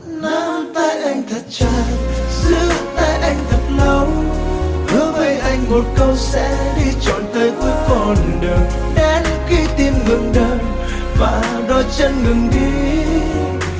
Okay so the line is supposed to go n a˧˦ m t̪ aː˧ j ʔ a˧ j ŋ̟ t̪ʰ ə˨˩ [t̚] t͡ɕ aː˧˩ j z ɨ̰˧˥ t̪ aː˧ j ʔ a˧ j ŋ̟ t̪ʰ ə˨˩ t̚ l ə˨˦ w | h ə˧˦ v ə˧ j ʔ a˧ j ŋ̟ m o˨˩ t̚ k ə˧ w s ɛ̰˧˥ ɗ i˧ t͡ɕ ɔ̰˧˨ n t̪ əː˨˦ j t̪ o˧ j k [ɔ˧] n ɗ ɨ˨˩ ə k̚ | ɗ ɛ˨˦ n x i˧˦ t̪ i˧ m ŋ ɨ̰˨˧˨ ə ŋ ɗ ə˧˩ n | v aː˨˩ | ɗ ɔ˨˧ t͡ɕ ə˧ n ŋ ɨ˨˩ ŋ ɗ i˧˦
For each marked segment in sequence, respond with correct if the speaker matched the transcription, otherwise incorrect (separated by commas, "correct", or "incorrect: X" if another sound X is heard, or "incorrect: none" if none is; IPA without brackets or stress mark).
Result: correct, incorrect: ɔ˨˩